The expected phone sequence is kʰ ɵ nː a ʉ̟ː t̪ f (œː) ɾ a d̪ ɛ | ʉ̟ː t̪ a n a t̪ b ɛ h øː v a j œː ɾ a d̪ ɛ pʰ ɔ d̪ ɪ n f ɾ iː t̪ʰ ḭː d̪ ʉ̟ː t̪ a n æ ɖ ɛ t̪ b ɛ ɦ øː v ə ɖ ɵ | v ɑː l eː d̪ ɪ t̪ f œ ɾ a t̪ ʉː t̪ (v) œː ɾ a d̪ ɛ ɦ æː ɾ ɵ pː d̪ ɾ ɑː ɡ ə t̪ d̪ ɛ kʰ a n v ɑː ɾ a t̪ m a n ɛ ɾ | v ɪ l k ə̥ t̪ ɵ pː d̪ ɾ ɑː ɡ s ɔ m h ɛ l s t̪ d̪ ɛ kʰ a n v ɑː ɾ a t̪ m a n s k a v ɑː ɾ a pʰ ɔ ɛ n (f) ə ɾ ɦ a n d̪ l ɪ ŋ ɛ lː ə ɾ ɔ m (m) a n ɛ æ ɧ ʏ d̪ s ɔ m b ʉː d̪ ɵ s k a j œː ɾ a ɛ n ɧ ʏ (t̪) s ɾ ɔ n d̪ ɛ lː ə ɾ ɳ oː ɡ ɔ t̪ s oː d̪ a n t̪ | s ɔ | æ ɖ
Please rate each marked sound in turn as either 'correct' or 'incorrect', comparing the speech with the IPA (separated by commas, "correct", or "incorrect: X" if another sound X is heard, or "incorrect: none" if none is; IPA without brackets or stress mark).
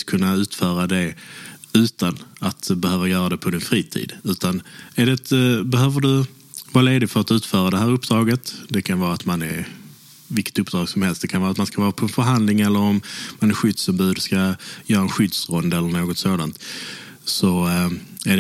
correct, incorrect: f, correct, correct, incorrect: d̪